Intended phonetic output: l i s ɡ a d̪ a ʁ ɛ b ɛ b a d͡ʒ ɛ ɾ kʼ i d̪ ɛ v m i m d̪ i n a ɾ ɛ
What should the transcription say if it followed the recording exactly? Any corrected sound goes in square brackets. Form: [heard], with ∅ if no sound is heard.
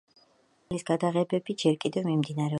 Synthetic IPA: l i s ɡ a d̪ a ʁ ɛ b ɛ b [i] d͡ʒ ɛ ɾ kʼ i d̪ ɛ v m i m d̪ i n a ɾ ɛ